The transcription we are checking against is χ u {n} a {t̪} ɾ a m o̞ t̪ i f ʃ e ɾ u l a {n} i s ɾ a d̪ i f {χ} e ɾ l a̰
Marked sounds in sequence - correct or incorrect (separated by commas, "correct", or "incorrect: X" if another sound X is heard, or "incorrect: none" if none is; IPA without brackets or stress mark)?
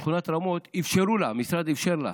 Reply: correct, correct, incorrect: m, incorrect: ʃ